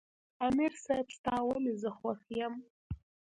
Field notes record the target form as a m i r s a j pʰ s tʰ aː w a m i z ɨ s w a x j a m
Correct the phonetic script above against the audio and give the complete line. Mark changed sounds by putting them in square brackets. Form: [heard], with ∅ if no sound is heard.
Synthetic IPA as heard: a m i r s a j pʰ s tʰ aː w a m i z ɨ [χ] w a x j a m